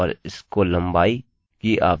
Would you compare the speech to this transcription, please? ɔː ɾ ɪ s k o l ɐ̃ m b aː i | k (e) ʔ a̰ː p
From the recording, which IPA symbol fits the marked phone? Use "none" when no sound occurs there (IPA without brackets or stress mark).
i